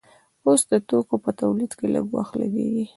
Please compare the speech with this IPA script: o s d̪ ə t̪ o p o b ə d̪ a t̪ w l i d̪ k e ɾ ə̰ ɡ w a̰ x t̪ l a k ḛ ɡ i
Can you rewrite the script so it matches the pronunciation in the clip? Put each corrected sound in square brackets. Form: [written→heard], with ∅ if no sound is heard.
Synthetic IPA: o s d̪ ə t̪ o [p→k] o [b→p] ə [d̪→t̪] a [t̪→∅] w l i d̪ k e [ɾ→l] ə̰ ɡ w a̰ x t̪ l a [k→ɡ] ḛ ɡ i